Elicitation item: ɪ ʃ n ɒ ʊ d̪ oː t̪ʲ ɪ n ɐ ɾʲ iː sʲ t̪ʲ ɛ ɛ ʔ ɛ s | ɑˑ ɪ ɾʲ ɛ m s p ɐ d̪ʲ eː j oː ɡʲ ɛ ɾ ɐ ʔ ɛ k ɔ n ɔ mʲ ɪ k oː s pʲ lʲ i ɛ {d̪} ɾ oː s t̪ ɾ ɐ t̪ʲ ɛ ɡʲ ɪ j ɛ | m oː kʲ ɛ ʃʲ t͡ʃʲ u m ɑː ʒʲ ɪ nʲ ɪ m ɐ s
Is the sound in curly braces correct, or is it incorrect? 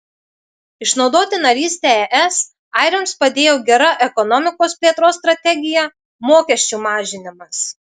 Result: incorrect